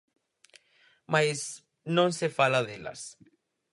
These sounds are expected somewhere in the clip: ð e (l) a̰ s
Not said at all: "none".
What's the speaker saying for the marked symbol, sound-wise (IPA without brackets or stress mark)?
l